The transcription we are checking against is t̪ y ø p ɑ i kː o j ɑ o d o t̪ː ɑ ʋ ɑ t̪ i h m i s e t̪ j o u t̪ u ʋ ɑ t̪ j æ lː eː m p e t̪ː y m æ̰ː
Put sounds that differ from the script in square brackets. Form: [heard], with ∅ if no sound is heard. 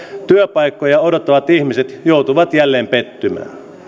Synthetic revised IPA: t̪ y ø p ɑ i kː o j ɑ o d o t̪ː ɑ ʋ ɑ t̪ i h m i s e t̪ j o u t̪ u ʋ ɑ t̪ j æ lː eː m p e t̪ː y m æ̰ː